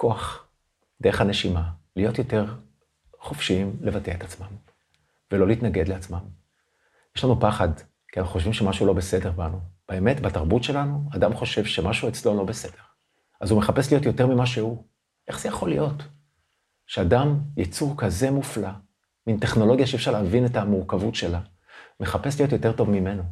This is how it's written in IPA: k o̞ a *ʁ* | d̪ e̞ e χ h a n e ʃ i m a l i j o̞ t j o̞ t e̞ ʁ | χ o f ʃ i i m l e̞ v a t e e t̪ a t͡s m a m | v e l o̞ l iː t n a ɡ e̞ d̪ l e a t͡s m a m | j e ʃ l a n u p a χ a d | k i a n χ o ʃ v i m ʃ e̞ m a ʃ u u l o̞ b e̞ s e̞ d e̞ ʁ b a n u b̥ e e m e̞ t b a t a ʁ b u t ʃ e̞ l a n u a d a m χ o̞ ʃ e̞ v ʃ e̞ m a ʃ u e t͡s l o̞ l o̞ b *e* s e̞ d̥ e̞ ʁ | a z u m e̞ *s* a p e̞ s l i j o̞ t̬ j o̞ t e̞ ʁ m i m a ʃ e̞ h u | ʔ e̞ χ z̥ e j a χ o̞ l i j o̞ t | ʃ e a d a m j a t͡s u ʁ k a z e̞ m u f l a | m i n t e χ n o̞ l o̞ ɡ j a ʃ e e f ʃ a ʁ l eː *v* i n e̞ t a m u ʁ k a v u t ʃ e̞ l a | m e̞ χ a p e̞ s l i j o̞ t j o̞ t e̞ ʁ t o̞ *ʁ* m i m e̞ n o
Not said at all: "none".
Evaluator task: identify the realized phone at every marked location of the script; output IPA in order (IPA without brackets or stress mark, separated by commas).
χ, e, χ, v, v